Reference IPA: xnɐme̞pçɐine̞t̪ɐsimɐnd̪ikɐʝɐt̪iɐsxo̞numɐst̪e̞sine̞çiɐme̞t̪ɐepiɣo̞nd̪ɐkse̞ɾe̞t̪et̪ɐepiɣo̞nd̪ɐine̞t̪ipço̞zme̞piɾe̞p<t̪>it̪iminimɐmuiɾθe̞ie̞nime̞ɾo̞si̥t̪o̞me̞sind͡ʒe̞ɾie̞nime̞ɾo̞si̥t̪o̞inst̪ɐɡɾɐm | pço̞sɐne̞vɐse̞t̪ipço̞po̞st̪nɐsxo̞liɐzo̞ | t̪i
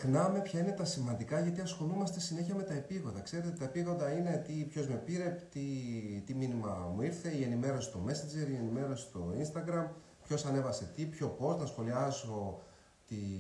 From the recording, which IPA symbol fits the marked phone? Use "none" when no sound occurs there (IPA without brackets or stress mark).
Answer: t̪